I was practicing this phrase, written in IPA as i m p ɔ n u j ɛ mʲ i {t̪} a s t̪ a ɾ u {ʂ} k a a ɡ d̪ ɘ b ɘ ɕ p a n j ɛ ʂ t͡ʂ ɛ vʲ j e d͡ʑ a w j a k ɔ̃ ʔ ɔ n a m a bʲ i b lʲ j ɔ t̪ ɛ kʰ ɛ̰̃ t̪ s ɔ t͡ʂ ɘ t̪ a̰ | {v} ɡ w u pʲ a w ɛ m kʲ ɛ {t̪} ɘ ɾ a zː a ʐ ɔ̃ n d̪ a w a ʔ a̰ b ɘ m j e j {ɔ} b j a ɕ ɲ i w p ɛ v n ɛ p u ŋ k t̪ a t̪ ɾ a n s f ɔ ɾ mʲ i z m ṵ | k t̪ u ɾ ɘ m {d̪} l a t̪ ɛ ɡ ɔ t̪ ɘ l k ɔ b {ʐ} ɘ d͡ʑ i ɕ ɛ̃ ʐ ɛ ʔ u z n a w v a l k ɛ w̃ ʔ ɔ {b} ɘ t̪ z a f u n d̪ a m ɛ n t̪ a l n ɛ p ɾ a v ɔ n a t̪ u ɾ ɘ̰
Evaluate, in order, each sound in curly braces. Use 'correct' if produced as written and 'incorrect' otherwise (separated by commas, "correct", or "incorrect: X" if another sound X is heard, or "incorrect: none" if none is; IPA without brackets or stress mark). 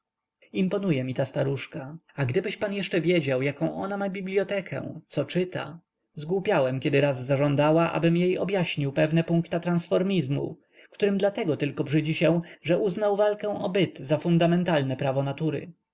correct, correct, incorrect: z, incorrect: d̪, correct, correct, correct, correct